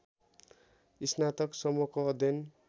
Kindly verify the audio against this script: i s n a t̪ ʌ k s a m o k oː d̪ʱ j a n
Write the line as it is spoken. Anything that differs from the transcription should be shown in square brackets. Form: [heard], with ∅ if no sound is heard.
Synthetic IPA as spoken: i s n a t̪ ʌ k s [ʌ] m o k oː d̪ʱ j [ʌ] n